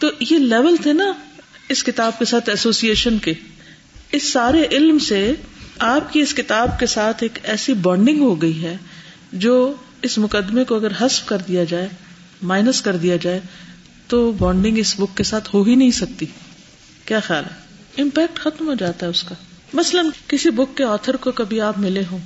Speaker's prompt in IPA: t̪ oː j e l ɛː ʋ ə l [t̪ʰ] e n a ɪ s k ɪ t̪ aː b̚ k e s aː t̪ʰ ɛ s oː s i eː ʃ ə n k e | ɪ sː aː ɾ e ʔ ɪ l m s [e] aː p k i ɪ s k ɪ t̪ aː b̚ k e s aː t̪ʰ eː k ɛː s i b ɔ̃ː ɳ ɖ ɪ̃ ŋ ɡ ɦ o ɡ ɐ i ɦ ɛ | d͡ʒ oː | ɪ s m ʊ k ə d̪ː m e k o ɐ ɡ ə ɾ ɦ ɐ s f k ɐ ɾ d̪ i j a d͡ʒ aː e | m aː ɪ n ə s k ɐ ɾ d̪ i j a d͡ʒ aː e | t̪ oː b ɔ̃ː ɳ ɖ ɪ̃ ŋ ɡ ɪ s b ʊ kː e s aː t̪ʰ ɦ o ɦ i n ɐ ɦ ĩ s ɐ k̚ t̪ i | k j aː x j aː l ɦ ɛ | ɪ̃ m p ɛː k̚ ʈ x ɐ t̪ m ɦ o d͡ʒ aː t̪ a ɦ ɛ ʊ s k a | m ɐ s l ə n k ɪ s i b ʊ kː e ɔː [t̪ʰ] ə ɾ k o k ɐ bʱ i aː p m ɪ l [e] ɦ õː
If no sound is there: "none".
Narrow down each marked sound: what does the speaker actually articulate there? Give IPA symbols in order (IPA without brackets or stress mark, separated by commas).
t̪ʰ, e, t̪ʰ, e